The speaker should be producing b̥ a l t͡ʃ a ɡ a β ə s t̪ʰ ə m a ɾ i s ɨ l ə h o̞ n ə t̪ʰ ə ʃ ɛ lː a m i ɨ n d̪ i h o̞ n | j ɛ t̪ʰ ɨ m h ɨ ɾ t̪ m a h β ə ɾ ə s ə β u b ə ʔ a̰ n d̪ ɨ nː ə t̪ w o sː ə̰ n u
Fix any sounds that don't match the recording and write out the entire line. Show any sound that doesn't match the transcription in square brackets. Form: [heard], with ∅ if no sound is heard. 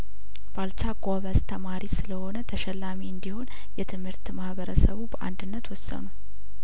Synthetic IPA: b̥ a l t͡ʃ a ɡ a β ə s t̪ʰ ə m a ɾ i s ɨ l ə h o̞ n ə t̪ʰ ə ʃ ɛ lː a m i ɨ n d̪ i h o̞ n | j ɛ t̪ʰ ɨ m h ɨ ɾ t̪ m a h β ə ɾ ə s ə β u b ə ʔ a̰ n d̪ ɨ nː ə t̪ w [ɔ] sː ə̰ n u

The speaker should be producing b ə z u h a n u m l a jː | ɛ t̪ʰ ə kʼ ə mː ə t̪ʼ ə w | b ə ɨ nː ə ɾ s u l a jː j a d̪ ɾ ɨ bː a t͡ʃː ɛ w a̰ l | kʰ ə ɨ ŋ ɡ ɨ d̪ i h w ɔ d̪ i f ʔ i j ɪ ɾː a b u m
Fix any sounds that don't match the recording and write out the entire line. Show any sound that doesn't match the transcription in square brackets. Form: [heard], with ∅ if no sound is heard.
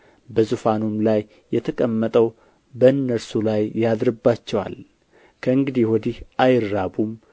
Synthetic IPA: b ə z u [f] a n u m l a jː | ɛ t̪ʰ ə kʼ ə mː ə t̪ʼ ə w | b ə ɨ nː ə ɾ s u l a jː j a d̪ ɾ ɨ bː a t͡ʃː ɛ w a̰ l | kʰ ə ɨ ŋ ɡ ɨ d̪ i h w ɔ d̪ i [h] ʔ [a] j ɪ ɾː a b u m

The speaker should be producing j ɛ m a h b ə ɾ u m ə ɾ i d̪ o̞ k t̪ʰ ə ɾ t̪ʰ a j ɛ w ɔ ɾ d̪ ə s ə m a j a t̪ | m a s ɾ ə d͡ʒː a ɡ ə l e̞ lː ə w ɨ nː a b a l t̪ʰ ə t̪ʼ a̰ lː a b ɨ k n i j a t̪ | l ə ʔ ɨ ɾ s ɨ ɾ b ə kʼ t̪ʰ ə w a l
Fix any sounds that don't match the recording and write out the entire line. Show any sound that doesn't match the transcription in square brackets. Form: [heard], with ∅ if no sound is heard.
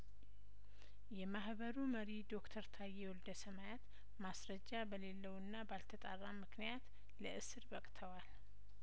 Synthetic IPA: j ɛ m a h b ə ɾ u m ə ɾ i d̪ o̞ k t̪ʰ ə ɾ t̪ʰ a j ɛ w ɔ [l] d̪ ə s ə m a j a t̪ | m a s ɾ ə d͡ʒː a [b] ə l e̞ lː ə w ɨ nː a b a l t̪ʰ ə t̪ʼ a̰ [rː] a [m] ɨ k n i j a t̪ | l ə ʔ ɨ [∅] s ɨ ɾ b ə kʼ t̪ʰ ə w a l

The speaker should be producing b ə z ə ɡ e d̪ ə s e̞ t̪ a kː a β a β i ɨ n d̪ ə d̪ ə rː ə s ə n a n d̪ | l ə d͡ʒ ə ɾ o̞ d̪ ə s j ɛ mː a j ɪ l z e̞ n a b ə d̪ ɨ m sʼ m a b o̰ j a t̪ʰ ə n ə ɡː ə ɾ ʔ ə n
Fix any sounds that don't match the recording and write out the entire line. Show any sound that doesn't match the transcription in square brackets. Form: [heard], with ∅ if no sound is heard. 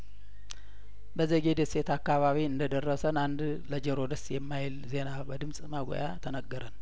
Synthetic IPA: b ə z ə ɡ e d̪ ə s e̞ t̪ a kː a β a β i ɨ n d̪ ə d̪ ə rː ə s ə n a n d̪ | l ə d͡ʒ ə ɾ o̞ d̪ ə s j ɛ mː a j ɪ l z e̞ n a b ə d̪ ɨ m sʼ m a [ɡ] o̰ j a t̪ʰ ə n ə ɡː ə ɾ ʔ ə n

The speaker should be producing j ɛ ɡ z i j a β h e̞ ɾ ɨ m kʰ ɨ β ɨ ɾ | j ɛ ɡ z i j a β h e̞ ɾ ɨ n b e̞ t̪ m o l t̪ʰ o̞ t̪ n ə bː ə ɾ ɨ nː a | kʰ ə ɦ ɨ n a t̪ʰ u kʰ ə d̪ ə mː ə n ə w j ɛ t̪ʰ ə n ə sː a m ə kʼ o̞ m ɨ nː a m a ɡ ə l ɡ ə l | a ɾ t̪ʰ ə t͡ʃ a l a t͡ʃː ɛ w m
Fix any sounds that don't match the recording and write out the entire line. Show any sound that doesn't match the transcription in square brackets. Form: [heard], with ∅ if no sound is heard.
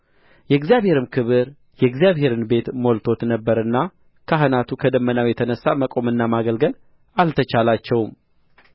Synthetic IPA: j ɛ ɡ z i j a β h e̞ ɾ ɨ m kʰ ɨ β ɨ ɾ | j ɛ ɡ z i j a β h e̞ ɾ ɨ n b e̞ t̪ m o l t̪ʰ o̞ t̪ n ə bː ə ɾ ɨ nː a | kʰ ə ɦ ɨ n a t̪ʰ u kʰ ə d̪ ə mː ə n [a] w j ɛ t̪ʰ ə n ə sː a m ə kʼ o̞ m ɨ nː a m a ɡ ə l ɡ ə l | a [l] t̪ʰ ə t͡ʃ a l a t͡ʃː ɛ w m

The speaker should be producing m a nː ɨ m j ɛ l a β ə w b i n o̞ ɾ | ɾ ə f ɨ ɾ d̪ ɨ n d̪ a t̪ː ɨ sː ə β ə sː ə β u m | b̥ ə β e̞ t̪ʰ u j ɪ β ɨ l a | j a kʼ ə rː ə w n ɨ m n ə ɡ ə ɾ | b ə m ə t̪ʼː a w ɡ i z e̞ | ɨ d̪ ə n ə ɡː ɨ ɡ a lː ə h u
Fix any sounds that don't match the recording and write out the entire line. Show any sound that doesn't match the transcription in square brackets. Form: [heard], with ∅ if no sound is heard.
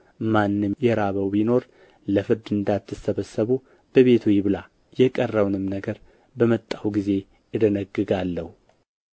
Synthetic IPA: m a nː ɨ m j ɛ [ɾ] a β ə w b i n o̞ ɾ | [l] ə f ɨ ɾ d̪ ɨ n d̪ a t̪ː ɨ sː ə β ə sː ə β u [∅] | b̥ ə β e̞ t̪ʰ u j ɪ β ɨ l a | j [ɛ] kʼ ə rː ə w n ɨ m n ə ɡ ə ɾ | b ə m ə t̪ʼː a w ɡ i z e̞ | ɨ d̪ ə n ə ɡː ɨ ɡ a lː ə h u

